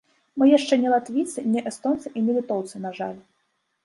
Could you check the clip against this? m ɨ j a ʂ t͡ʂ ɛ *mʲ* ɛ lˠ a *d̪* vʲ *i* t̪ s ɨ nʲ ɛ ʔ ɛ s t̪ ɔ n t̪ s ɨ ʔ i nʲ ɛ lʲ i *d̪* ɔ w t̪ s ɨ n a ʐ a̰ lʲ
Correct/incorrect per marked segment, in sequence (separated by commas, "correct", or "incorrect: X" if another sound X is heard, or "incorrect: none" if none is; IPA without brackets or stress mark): incorrect: nʲ, incorrect: t̪, correct, incorrect: t̪